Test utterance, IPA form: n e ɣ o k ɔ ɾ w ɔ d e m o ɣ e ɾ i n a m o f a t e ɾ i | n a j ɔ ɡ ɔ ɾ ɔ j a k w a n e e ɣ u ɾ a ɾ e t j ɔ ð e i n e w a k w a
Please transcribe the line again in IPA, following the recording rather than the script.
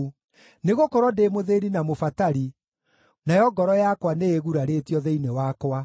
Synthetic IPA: n e ɣ o k ɔ ɾ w ɔ d e m o ð e ɾ i n a m o f a t a ɾ i | n a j ɔ ɡ ɔ ɾ ɔ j a k w a n e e ɣ u ɾ a ɾ e t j ɔ ð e i n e w a k w a